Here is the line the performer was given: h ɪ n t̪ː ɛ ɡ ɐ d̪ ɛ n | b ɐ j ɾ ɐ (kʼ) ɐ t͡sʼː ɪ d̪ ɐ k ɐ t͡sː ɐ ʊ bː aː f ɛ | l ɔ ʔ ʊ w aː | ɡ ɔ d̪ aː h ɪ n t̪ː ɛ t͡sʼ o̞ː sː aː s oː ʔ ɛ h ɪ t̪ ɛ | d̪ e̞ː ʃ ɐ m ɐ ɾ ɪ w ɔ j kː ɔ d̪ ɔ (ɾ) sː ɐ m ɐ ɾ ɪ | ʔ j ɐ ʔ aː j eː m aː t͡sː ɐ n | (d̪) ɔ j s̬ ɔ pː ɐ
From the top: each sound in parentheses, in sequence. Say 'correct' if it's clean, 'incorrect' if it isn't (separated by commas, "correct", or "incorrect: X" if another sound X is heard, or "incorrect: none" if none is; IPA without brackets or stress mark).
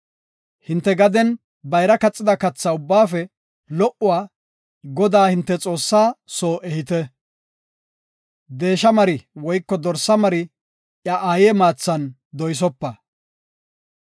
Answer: incorrect: k, correct, correct